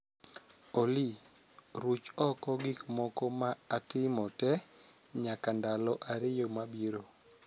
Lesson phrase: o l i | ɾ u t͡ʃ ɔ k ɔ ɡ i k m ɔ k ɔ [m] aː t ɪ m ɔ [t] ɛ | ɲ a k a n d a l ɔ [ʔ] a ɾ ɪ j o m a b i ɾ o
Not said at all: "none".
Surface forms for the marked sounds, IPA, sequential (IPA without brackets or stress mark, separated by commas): m, t, ʔ